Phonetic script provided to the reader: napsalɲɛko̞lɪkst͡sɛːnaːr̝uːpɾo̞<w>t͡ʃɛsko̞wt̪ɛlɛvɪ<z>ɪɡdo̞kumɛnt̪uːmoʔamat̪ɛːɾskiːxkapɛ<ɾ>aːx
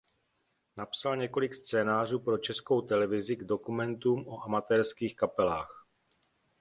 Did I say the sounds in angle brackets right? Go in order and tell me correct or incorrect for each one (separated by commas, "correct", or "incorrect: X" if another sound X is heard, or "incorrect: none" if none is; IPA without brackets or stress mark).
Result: incorrect: none, correct, incorrect: l